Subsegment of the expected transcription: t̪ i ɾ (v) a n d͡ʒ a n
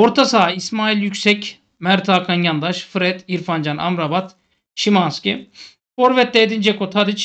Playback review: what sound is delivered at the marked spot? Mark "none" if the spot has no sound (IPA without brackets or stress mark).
f